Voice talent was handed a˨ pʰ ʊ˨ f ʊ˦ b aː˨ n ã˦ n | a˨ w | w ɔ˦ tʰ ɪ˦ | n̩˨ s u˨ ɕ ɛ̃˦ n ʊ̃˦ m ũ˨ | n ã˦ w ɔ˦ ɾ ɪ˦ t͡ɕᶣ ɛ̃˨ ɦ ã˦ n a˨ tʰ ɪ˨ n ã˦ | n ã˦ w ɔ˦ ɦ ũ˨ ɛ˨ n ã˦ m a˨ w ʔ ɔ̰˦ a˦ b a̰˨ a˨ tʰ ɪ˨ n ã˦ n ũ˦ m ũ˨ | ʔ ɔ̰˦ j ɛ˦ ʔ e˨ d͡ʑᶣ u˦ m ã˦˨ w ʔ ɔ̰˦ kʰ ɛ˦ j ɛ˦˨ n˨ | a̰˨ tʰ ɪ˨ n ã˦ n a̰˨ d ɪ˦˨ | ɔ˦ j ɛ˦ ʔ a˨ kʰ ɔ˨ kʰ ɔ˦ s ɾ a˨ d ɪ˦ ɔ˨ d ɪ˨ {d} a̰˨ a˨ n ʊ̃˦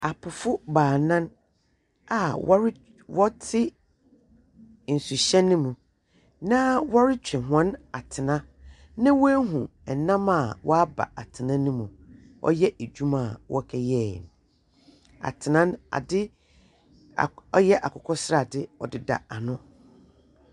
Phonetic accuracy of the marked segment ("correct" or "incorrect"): correct